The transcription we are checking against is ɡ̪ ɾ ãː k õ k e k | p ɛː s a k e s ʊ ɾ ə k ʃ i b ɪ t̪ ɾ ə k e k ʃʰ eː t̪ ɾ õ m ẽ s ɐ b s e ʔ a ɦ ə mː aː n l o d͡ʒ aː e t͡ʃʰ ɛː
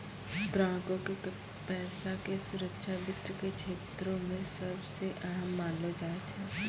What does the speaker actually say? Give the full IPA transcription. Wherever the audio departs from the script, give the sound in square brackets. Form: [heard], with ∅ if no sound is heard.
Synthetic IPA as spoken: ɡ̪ ɾ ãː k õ k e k | p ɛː s a k e s ʊ ɾ ə k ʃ [a] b ɪ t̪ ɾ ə k e k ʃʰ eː t̪ ɾ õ m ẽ s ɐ b s e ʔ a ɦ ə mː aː n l o d͡ʒ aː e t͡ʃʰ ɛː